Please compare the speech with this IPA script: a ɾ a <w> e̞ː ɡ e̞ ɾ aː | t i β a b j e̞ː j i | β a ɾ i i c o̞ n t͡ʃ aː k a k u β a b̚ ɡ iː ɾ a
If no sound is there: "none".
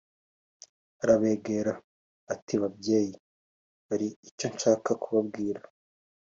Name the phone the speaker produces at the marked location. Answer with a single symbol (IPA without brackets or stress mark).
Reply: β